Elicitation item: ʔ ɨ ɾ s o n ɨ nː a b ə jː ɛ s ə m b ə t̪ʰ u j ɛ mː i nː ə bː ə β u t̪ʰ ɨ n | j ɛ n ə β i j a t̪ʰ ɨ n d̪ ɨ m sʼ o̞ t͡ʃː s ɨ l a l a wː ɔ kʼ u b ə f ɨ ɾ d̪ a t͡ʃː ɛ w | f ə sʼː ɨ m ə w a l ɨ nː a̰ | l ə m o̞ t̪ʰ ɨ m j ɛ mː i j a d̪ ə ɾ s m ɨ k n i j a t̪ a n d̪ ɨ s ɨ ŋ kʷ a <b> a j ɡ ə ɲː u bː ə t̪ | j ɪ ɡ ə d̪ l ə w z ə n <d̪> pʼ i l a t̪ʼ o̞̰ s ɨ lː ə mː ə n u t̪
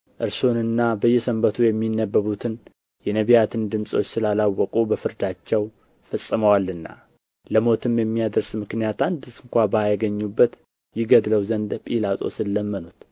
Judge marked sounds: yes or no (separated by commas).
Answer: yes, yes